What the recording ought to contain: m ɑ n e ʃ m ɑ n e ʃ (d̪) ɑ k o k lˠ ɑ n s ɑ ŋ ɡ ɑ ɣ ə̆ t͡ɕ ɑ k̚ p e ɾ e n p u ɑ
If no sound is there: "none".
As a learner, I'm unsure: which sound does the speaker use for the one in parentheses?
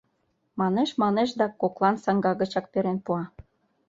d̪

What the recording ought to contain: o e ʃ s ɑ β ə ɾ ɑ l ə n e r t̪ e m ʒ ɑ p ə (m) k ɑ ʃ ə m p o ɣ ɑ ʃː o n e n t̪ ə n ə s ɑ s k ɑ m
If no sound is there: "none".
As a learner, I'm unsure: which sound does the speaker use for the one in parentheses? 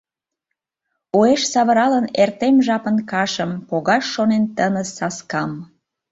n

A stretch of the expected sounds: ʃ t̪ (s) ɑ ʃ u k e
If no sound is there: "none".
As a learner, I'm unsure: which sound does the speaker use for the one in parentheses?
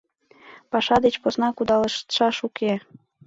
ʃ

